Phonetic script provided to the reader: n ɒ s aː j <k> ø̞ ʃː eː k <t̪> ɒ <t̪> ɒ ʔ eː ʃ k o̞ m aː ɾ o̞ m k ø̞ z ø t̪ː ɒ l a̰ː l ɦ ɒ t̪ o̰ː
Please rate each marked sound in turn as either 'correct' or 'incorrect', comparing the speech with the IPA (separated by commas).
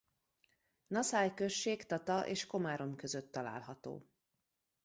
correct, correct, correct